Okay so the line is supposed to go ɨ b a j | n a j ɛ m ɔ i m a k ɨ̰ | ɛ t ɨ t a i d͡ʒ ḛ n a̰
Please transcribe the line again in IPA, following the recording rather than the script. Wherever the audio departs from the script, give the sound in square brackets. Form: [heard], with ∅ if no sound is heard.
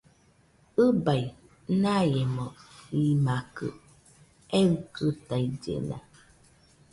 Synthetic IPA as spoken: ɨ b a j | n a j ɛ m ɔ i m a k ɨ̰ | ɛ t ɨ t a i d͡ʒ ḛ n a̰